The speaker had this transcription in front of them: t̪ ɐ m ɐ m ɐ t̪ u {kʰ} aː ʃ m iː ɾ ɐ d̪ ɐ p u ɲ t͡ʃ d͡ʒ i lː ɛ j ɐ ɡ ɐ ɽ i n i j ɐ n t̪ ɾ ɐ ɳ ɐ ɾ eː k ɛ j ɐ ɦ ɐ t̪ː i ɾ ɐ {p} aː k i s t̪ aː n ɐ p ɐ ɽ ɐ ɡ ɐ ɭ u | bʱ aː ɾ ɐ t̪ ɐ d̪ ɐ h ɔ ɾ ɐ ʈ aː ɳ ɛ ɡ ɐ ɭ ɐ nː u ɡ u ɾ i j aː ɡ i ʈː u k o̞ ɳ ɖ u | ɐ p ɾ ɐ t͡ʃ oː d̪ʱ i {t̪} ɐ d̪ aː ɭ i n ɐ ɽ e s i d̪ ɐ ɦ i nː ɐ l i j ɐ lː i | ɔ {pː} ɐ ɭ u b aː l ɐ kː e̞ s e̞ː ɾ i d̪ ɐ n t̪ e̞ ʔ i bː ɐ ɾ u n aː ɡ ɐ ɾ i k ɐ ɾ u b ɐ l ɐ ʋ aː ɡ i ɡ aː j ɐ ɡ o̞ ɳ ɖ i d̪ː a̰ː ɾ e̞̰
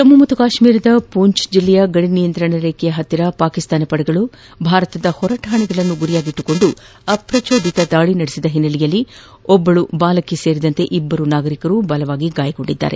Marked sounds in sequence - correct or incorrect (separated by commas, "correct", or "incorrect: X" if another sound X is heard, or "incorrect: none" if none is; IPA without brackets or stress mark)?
incorrect: k, correct, correct, incorrect: bː